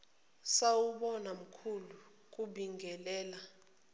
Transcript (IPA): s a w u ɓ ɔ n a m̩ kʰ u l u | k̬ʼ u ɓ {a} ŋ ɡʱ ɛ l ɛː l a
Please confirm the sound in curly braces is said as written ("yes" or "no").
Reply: no